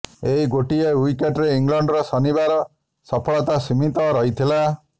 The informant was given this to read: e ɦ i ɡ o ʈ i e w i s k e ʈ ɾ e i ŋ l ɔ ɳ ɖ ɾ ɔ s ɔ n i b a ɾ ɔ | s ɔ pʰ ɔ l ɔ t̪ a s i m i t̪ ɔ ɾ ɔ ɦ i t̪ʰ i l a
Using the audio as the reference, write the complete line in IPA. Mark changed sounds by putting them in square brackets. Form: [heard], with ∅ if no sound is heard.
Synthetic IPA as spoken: e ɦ i ɡ o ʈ i e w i [∅] k e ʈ ɾ e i ŋ l ɔ ɳ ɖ ɾ ɔ s ɔ n i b a ɾ ɔ | s ɔ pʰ ɔ [ɭ] ɔ t̪ a s i m i t̪ ɔ ɾ ɔ ɦ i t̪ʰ i l a

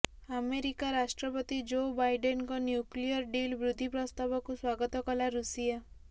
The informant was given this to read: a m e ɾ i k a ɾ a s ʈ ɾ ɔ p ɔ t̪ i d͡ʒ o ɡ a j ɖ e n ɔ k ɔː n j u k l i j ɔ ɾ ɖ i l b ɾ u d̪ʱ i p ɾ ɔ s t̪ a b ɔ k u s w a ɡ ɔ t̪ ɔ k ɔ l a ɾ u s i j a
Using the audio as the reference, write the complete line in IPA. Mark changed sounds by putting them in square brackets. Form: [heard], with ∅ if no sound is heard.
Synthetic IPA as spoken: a m e ɾ i k a ɾ a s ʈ ɾ ɔ p ɔ t̪ i d͡ʒ o [b] a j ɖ e n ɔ k [ɔ] n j u k l i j ɔ ɾ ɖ i l b ɾ u d̪ʱ i p ɾ ɔ s t̪ a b ɔ k u s w a ɡ ɔ t̪ ɔ k ɔ l a ɾ u s i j a

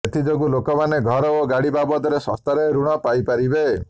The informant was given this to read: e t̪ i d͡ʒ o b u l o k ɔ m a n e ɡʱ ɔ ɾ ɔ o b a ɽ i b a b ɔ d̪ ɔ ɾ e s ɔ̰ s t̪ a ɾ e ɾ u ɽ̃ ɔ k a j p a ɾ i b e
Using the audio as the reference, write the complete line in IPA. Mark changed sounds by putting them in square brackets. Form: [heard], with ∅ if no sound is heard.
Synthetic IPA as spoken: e t̪ i d͡ʒ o [ɡ] u l o k ɔ m a n e ɡʱ ɔ ɾ ɔ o [ɡ] a ɽ i b a b ɔ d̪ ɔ ɾ e s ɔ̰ s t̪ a ɾ e ɾ u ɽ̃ ɔ [p] a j p a ɾ i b e

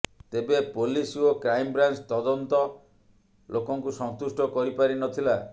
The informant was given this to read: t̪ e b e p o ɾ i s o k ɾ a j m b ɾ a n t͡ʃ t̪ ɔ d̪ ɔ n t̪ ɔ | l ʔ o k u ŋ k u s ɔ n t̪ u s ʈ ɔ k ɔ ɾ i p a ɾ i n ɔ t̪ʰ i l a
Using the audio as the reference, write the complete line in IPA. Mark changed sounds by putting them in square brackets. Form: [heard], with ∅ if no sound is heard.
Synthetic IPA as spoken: t̪ e b e p o [l] i s o k ɾ a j m b ɾ a n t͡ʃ t̪ ɔ d̪ ɔ n t̪ ɔ | l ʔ o k [ɔ] ŋ k u s ɔ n t̪ u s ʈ ɔ k ɔ ɾ i p a ɾ i n ɔ t̪ʰ i l a

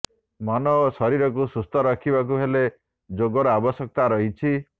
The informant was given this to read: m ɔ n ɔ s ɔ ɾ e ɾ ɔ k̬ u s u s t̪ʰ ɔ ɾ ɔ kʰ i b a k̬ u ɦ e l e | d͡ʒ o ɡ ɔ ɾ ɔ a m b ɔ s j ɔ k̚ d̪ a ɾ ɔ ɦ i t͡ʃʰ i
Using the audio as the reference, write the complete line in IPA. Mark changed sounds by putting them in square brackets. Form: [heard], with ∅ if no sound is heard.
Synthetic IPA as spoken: m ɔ n ɔ s ɔ ɾ [i] ɾ ɔ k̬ u s u s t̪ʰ ɔ ɾ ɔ kʰ i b a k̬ u ɦ e l e | d͡ʒ o ɡ ɔ ɾ ɔ a [∅] b ɔ s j ɔ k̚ [t̪] a ɾ ɔ ɦ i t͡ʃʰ i

